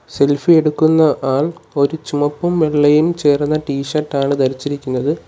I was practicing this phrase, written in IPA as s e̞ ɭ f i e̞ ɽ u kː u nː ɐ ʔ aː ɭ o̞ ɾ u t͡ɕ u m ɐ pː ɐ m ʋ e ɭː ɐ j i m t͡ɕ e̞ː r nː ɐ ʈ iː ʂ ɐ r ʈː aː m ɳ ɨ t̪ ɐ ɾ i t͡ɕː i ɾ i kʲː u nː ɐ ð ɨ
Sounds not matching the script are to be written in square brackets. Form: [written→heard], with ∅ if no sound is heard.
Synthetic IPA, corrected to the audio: s e̞ [ɭ→l] f i e̞ ɽ u kː u nː ɐ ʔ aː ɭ o̞ ɾ u t͡ɕ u m ɐ pː ɐ m ʋ e ɭː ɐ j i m t͡ɕ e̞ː r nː ɐ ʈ iː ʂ ɐ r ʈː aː [m→∅] ɳ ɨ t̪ ɐ ɾ i t͡ɕː i ɾ i kʲː u nː ɐ ð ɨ